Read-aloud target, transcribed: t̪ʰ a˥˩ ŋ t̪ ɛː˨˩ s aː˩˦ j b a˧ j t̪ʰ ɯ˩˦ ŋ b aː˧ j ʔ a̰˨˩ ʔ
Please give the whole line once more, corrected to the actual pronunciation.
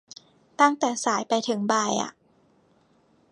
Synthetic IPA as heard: t̪ a˥˩ ŋ t̪ ɛː˨˩ s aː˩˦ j p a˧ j t̪ʰ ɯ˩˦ ŋ b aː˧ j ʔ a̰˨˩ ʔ